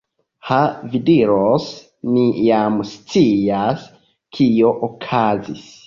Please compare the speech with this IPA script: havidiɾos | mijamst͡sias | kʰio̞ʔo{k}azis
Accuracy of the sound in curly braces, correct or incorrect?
incorrect